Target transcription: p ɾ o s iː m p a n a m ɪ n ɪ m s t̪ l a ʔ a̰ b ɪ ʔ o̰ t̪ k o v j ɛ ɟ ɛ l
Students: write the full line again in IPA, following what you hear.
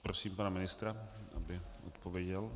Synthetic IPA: p ɾ o s iː m p a n a m ɪ n ɪ s t̪ ɾ a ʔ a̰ b ɪ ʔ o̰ t̪ p o v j ɛ ɟ ɛ l